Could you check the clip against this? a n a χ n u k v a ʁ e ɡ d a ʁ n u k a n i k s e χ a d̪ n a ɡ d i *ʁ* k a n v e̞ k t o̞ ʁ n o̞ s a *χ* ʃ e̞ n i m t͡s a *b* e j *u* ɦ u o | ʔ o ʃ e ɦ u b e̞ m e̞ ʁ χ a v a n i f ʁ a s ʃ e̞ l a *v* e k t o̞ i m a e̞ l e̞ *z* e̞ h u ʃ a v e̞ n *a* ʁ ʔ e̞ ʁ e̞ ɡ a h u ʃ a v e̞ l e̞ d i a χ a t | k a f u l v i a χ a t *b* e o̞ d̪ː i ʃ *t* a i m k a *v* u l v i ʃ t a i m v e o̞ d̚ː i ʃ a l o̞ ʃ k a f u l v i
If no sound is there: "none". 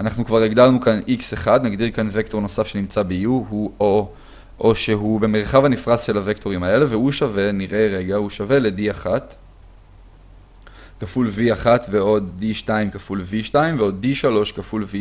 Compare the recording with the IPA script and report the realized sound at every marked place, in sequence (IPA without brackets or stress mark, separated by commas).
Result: ʁ, f, b, u, v, v, i, v, t, f